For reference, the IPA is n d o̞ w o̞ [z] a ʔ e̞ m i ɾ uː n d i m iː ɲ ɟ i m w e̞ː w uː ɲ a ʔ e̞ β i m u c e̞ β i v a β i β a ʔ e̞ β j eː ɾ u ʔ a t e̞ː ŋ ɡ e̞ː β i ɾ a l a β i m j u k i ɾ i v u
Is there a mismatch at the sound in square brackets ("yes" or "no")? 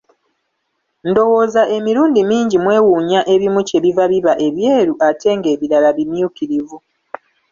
no